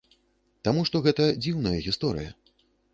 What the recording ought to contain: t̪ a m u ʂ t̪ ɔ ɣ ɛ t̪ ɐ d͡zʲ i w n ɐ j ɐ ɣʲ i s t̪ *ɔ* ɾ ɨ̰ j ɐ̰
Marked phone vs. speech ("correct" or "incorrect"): correct